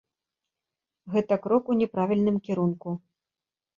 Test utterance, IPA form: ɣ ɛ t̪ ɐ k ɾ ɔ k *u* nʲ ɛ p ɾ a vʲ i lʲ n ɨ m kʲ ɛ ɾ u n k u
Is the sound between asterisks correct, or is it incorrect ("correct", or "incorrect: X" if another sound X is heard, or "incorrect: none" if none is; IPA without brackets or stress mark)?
correct